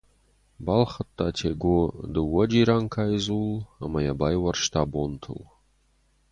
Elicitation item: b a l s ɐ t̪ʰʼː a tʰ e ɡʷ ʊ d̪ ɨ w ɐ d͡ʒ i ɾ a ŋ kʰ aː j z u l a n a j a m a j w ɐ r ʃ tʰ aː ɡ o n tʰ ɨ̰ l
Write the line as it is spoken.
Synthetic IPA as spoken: b a l χ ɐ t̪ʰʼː a tʰ e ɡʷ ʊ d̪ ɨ w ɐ d͡ʒ i ɾ a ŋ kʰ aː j z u l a m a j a b a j w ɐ r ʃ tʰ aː b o n tʰ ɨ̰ l